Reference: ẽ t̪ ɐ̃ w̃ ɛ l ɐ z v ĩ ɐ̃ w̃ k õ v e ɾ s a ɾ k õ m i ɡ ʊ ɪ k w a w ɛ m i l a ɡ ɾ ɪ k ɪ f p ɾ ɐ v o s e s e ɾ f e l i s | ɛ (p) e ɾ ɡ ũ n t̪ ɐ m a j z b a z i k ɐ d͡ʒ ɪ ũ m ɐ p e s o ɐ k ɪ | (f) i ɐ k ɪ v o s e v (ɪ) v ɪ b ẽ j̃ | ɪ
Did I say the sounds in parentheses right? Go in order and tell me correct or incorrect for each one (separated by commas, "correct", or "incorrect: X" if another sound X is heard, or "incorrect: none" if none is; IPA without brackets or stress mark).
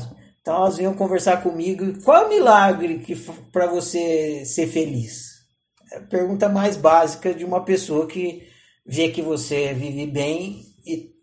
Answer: correct, incorrect: v, incorrect: i